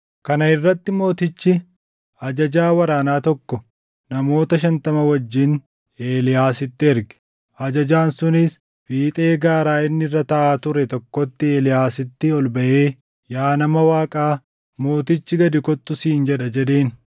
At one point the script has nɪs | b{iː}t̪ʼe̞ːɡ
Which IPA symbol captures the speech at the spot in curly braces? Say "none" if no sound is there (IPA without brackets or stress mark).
iː